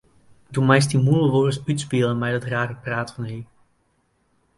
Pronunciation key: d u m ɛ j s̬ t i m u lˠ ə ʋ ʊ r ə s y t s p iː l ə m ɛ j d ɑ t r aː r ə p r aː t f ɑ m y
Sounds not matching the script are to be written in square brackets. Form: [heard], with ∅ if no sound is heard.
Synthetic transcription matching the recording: d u m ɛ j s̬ t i m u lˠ ə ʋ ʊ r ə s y t s p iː l ə m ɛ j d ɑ t r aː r ə p r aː t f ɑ [n] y

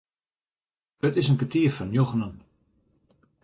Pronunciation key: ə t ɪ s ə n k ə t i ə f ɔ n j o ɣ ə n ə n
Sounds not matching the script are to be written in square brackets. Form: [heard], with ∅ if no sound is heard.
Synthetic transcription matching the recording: ə t ɪ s ə n k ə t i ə f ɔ n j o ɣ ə n ə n

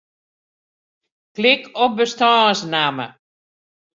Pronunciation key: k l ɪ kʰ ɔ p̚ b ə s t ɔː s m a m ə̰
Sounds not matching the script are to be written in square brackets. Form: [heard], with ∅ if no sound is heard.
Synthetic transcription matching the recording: k l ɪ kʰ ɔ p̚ b ə s t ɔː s [n] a m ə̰

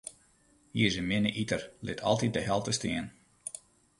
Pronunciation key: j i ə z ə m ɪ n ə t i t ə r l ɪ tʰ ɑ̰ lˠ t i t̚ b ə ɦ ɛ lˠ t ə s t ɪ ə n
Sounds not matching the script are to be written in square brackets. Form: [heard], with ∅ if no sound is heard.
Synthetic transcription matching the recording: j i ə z ə m ɪ n ə [ʔ] i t ə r l ɪ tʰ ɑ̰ lˠ t i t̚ [d] ə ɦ ɛ lˠ t ə s t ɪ ə n

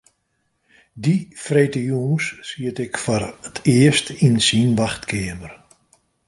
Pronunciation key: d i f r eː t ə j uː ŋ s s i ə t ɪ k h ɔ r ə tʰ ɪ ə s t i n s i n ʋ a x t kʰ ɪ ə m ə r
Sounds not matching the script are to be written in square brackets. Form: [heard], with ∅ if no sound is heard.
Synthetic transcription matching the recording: d i f r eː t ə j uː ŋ s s i ə t ɪ k [f] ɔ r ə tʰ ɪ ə s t i n s i n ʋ a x t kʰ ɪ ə m ə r

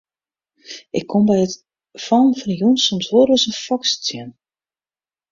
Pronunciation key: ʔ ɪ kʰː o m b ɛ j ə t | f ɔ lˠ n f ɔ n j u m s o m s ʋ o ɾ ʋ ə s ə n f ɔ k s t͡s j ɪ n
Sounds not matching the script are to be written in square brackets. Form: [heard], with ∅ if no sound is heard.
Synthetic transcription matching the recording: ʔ ɪ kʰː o m b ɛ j ə t | f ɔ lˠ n f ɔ n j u [n] s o m s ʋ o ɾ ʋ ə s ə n f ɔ k s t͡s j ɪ n

